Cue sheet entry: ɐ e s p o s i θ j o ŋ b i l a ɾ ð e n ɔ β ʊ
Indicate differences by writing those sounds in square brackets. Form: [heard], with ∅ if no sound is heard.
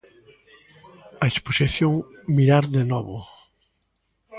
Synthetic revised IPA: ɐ e s p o s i θ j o ŋ [m] i [ɾ] a ɾ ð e n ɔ β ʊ